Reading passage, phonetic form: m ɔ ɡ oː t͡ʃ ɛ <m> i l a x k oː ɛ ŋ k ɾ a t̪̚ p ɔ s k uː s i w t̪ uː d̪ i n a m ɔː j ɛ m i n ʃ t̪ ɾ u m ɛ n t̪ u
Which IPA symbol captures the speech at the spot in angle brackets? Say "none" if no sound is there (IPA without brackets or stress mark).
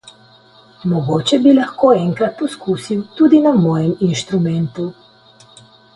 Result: b